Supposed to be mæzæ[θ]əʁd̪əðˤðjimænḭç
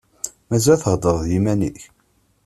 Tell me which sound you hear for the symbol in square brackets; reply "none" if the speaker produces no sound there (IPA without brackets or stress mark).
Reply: θ